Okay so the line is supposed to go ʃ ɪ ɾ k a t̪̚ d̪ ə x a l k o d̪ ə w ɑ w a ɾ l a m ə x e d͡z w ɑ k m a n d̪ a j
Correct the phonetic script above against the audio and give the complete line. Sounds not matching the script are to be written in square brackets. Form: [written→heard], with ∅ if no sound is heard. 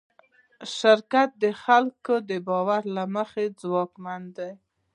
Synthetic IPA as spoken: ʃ ɪ ɾ k a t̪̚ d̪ ə x a l k o d̪ ə [w→b] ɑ w a ɾ l a m ə x e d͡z w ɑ k m a n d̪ a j